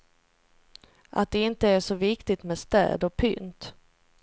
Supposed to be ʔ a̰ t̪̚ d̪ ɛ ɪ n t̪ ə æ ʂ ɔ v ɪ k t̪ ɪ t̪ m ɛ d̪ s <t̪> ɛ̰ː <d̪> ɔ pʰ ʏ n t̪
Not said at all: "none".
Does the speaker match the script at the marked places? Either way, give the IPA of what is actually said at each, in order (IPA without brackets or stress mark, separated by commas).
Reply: t̪, d̪